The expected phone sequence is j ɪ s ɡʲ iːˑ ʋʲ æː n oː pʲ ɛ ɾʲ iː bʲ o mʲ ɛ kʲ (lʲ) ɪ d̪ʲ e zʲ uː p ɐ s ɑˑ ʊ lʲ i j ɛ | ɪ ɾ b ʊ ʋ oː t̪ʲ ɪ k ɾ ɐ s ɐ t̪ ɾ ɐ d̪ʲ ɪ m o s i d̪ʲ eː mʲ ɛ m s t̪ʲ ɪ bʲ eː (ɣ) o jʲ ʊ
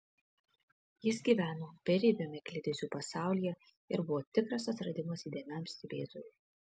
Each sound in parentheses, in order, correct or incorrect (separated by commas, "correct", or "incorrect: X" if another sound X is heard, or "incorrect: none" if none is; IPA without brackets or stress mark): correct, incorrect: z